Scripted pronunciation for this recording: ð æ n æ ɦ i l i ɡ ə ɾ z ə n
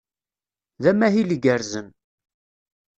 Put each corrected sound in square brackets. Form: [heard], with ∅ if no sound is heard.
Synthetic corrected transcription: ð æ [m] æ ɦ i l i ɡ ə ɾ z ə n